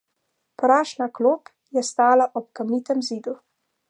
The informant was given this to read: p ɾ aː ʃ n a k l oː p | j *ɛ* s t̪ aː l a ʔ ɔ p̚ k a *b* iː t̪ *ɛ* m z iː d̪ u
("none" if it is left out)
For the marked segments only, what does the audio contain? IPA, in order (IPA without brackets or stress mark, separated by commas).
ɛ, m, ɛ